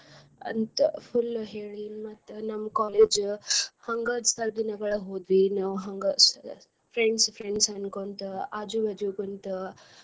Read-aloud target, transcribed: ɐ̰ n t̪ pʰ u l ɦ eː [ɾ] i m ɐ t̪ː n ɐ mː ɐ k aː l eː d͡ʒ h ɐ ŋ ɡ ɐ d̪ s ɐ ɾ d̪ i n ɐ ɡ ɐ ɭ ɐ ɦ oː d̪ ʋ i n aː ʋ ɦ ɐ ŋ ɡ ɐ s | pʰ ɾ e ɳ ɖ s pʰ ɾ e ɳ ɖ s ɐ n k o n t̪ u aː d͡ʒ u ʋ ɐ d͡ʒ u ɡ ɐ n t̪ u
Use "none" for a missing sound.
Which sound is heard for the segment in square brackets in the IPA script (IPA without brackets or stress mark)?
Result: ɭ